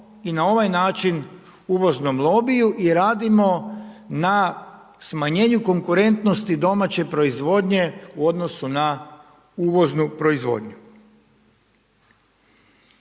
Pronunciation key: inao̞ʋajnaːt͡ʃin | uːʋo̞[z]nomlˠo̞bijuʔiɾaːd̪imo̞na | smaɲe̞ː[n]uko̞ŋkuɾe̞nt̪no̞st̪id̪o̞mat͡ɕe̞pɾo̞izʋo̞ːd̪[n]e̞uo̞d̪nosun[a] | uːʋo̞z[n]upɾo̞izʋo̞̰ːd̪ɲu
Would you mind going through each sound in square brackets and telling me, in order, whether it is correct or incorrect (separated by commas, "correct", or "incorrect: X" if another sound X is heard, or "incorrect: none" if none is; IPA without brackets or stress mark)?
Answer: correct, incorrect: ɲ, incorrect: ɲ, correct, correct